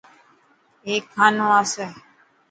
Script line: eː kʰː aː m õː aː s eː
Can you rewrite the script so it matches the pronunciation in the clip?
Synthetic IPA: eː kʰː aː n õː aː s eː